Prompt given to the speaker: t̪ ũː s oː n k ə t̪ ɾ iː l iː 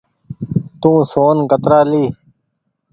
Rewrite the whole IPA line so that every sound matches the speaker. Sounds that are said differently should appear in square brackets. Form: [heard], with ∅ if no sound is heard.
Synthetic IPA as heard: t̪ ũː s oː n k ə t̪ ɾ [aː] l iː